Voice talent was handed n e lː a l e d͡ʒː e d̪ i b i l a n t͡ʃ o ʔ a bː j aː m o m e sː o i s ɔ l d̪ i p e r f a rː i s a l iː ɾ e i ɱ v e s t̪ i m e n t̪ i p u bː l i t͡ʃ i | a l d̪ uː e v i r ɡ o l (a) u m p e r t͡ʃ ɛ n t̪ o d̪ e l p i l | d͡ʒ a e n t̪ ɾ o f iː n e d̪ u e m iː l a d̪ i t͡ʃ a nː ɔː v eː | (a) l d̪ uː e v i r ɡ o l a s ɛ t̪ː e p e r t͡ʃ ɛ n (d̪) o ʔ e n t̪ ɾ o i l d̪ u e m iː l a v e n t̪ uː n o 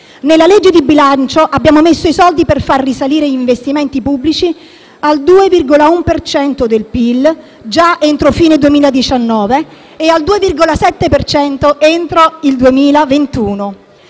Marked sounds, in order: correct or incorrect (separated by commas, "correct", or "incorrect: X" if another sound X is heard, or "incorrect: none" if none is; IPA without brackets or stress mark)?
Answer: correct, correct, incorrect: t̪